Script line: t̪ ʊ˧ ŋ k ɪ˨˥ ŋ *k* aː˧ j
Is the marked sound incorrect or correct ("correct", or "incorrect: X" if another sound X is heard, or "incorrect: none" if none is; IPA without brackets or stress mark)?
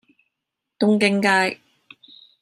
correct